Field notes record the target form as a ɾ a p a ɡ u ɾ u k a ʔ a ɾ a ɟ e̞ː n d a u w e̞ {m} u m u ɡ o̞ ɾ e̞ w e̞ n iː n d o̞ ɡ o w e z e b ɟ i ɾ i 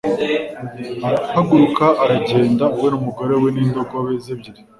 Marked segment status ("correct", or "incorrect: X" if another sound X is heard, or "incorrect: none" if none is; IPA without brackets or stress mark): incorrect: n